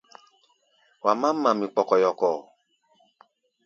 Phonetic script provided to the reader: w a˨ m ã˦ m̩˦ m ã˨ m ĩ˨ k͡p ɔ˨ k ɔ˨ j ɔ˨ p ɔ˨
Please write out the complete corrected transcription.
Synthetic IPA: w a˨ m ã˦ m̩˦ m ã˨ m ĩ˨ k͡p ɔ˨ k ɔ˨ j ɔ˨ k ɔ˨